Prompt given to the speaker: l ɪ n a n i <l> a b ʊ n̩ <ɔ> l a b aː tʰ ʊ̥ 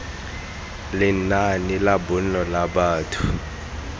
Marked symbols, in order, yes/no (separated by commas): yes, yes